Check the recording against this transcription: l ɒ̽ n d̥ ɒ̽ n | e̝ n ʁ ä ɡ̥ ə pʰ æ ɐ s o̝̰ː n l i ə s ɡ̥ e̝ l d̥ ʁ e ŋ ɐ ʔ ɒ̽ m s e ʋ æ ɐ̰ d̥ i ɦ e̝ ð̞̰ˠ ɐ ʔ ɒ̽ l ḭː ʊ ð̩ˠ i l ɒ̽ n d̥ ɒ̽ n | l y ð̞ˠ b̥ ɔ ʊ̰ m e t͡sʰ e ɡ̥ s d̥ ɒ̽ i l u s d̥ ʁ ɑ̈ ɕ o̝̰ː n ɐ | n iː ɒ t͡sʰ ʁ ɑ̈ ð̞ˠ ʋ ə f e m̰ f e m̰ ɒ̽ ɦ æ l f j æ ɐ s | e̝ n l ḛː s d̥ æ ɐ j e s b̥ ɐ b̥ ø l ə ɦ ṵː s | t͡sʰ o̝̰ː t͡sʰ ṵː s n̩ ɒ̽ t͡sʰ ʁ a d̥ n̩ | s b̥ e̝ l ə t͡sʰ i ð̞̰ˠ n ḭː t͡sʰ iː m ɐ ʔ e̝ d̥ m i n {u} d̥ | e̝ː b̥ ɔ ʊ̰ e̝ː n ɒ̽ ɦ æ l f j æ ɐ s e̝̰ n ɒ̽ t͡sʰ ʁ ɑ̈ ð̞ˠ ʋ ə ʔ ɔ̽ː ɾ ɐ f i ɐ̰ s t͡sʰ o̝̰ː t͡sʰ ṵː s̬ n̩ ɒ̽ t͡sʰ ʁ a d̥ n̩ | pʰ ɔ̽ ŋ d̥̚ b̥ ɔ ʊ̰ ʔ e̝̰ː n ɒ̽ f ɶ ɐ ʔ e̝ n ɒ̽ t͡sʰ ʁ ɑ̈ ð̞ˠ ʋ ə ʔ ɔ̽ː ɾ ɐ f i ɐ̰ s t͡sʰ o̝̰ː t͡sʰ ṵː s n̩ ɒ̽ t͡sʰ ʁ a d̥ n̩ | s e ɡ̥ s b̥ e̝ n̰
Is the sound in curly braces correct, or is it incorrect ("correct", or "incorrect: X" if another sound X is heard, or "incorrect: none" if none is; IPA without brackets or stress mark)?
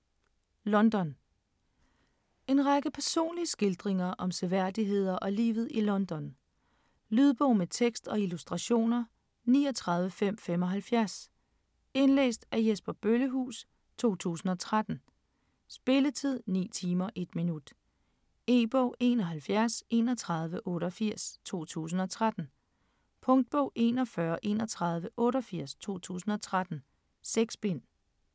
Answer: correct